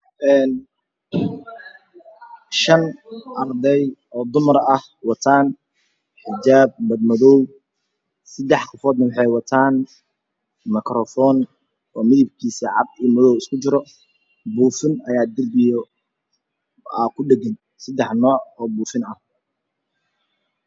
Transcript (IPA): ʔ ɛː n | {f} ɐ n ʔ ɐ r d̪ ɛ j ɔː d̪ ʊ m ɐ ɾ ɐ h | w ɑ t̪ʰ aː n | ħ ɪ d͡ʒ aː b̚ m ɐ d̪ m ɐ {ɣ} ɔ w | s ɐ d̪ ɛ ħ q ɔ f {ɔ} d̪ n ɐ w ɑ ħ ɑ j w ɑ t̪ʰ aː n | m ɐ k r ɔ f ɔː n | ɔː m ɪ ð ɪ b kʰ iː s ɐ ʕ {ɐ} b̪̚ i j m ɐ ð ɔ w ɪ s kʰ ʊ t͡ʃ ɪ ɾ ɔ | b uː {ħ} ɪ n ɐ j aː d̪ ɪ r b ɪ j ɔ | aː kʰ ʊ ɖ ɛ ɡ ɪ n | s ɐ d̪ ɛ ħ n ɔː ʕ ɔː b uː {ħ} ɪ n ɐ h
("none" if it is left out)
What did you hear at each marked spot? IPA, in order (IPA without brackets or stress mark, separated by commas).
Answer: ʃ, ð, ɔː, ɑ, f, f